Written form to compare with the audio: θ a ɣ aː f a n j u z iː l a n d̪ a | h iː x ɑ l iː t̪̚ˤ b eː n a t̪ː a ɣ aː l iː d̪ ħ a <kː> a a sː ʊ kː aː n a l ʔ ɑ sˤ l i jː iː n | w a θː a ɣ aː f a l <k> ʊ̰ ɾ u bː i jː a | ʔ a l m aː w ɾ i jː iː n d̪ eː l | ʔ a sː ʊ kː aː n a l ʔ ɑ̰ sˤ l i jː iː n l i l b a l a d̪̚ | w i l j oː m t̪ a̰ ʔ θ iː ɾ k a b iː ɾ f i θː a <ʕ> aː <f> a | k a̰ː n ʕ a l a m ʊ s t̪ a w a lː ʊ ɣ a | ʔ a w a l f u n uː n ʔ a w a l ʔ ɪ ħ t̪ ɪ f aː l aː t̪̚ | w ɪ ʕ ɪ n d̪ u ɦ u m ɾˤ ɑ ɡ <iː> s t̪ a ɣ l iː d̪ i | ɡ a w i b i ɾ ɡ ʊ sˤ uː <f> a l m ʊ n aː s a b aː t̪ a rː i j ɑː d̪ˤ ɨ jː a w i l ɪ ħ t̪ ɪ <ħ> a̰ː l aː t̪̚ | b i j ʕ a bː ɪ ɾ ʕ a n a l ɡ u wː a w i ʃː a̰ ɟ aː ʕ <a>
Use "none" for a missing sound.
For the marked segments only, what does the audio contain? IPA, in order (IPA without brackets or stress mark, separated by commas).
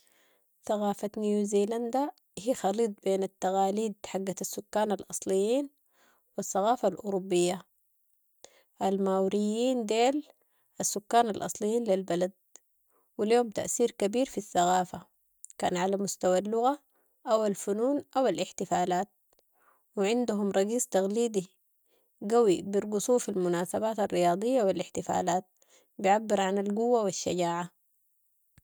ɡː, ʔ, ɣ, f, iː, f, f, a